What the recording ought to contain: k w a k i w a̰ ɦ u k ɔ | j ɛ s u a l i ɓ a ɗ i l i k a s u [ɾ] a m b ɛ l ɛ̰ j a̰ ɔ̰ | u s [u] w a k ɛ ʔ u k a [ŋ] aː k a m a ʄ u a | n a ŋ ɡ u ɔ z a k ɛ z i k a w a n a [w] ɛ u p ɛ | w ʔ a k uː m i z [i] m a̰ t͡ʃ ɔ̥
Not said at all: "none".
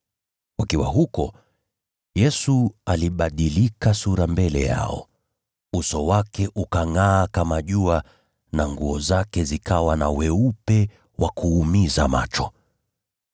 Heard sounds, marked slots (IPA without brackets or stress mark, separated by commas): ɾ, ɔ, ŋ, w, a